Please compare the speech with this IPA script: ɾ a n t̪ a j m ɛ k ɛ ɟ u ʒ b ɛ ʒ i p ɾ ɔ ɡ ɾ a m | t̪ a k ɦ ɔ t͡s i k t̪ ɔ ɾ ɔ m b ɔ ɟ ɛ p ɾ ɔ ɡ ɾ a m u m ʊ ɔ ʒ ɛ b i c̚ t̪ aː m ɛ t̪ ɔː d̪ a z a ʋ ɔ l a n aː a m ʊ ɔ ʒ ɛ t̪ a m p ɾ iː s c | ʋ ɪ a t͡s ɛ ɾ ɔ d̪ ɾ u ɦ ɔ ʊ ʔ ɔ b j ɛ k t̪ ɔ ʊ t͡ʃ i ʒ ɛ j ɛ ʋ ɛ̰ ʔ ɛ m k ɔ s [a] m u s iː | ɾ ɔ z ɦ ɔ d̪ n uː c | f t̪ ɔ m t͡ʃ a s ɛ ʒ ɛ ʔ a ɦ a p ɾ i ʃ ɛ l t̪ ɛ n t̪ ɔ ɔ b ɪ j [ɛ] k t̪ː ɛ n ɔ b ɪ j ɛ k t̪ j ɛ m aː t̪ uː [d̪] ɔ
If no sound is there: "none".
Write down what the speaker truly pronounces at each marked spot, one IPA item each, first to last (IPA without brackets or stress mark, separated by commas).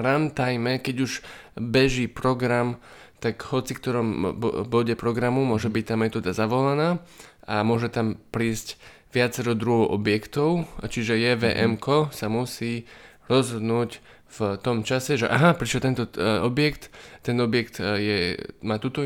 a, ɛ, t̪